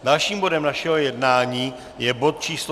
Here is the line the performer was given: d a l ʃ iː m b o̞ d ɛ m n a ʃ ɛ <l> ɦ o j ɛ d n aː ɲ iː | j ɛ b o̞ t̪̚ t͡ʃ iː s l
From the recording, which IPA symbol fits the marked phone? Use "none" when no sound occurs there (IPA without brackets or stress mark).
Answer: none